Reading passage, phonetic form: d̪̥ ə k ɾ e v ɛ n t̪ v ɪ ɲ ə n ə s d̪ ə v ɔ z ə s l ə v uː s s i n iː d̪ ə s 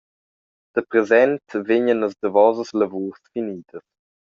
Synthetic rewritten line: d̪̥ ə p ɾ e z ɛ n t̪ v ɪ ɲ ə n ə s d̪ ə v ɔ z ə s l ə v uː s f i n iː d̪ ə s

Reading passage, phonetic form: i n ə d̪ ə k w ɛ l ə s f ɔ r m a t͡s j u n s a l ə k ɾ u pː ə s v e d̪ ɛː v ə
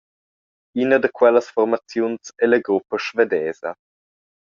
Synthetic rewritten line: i n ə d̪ ə k w ɛ l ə s f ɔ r m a t͡s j u n s ɛ l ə ɡ ɾ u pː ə ʃ v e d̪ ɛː z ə

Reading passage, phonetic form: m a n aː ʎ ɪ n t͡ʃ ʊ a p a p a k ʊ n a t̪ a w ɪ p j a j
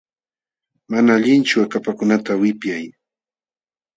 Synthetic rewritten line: m a n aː ʎ ɪ n t͡ʃ ʊ a k a p a k ʊ n a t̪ a w ɪ p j a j

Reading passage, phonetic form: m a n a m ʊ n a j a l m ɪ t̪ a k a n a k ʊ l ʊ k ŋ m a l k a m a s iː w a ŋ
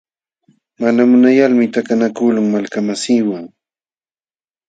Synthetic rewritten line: m a n a m ʊ n a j a l m ɪ t̪ a k a n a k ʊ l ʊ ŋ m a l k a m a s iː w a ŋ

